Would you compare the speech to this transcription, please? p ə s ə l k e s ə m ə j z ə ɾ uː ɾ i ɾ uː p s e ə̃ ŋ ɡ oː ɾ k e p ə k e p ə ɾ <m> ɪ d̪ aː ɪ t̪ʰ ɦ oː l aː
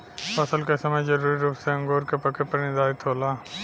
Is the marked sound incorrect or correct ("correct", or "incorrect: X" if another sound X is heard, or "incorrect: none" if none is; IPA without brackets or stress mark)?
incorrect: n